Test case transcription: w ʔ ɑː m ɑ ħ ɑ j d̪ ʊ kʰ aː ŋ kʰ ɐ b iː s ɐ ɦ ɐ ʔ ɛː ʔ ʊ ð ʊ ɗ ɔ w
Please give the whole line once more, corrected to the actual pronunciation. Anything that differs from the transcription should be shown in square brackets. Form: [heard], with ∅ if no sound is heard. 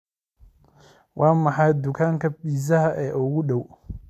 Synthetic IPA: w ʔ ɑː m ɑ ħ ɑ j d̪ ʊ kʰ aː ŋ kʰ ɐ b iː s ɐ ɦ ɐ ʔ ɛː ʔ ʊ [ɣ] ʊ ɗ ɔ w

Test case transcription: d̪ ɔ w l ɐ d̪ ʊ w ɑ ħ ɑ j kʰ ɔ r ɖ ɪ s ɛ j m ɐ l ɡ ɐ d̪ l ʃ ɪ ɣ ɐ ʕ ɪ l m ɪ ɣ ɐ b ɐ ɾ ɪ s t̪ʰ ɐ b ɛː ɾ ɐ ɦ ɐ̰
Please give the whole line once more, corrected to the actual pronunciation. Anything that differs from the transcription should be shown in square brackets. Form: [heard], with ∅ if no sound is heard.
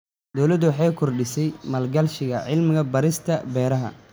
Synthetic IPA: d̪ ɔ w l ɐ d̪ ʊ w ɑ ħ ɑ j kʰ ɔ r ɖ ɪ s ɛ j m ɐ l ɡ ɐ [∅] l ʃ ɪ ɣ ɐ ʕ ɪ l m ɪ ɣ ɐ b ɐ ɾ ɪ s t̪ʰ ɐ b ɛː ɾ ɐ ɦ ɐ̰

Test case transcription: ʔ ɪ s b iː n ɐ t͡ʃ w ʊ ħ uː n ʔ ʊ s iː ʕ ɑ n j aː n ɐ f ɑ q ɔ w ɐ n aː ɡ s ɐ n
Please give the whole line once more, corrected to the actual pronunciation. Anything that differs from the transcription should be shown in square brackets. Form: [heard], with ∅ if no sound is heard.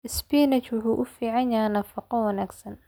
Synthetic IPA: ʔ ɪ s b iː n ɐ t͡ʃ w ʊ ħ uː [∅] ʔ ʊ [f] iː ʕ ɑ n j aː n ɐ f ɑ q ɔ w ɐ n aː ɡ s ɐ n

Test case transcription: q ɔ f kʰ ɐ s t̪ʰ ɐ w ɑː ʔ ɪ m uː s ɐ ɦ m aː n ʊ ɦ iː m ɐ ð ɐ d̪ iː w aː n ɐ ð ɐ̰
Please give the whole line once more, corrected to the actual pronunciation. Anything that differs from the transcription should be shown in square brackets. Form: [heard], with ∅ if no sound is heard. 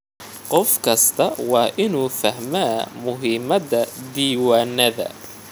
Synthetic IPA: q ɔ f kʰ ɐ s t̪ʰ ɐ w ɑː ʔ ɪ [n] uː [f] ɐ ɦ m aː [m] ʊ ɦ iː m ɐ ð ɐ d̪ iː w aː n ɐ ð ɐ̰

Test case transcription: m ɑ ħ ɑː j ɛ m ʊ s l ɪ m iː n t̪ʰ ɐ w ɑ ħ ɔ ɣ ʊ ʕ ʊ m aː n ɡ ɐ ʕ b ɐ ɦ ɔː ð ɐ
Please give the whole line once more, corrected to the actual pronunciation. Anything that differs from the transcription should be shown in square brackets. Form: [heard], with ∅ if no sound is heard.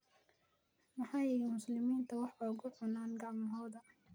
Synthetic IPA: m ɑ ħ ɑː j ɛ m ʊ s l ɪ m iː n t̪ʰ ɐ w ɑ ħ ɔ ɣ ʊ ʕ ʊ [n] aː n ɡ [ɑ] ʕ [m] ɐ ɦ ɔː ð ɐ

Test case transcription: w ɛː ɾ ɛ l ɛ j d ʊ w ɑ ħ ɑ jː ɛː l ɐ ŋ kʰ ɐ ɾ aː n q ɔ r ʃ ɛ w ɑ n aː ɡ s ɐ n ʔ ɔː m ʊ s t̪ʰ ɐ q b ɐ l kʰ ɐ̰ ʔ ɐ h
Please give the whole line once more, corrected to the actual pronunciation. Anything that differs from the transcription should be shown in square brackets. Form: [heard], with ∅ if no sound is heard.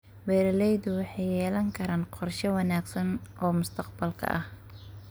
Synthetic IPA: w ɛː ɾ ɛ l ɛ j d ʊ w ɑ ħ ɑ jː ɛː l ɐ ŋ kʰ ɐ ɾ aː n q ɔ r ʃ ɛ w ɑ n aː ɡ s ɐ n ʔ ɔː m ʊ s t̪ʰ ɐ q b ɐ l kʰ ɐ̰ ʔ ɐ h

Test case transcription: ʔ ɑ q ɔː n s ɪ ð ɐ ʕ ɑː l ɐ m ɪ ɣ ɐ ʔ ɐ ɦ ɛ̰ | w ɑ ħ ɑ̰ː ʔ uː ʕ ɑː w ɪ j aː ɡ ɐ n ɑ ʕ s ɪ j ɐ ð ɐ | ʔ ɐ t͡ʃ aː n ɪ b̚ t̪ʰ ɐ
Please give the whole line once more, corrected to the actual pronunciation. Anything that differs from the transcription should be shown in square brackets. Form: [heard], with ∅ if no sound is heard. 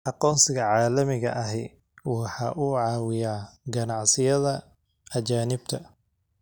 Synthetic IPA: ʔ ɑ q ɔː n s ɪ [ɣ] ɐ ʕ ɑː l ɐ m ɪ ɣ ɐ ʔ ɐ ɦ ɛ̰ | w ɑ ħ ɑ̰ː ʔ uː ʕ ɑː w ɪ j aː ɡ ɐ n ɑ ʕ s ɪ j ɐ ð ɐ | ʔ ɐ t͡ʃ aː n ɪ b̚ t̪ʰ ɐ

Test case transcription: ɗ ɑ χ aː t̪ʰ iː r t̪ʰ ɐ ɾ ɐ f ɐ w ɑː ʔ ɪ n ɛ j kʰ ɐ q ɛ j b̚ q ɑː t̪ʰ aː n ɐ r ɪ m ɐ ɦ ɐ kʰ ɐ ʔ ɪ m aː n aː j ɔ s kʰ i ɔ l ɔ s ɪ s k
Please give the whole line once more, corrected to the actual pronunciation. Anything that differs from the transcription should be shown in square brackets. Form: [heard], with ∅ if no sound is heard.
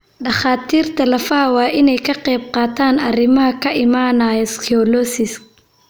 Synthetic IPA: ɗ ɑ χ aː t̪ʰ iː r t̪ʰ ɐ [l] ɐ f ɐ w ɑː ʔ ɪ n ɛ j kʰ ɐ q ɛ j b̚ q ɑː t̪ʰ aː n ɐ r ɪ m ɐ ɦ ɐ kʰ ɐ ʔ ɪ m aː n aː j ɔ s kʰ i ɔ l ɔ s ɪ s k

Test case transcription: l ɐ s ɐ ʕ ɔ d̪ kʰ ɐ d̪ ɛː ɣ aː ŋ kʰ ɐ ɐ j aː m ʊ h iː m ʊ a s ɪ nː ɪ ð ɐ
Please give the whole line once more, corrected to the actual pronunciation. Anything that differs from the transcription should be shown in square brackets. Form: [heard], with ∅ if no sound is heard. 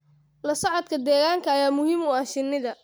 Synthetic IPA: l ɐ s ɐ ʕ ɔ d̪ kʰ ɐ d̪ ɛː ɣ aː ŋ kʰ ɐ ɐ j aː m ʊ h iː m ʊ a [ʃ] ɪ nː ɪ ð ɐ

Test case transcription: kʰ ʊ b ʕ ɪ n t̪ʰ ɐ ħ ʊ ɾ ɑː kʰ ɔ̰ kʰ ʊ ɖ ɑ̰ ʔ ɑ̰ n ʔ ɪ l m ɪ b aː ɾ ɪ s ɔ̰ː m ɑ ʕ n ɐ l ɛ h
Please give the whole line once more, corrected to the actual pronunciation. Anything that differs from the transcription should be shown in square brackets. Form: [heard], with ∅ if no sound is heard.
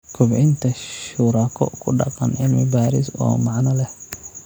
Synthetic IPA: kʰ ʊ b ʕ ɪ n t̪ʰ ɐ [ʃ] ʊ ɾ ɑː kʰ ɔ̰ kʰ ʊ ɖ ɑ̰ [q] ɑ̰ n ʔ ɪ l m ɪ b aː ɾ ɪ s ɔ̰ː m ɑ ʕ n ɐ l ɛ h

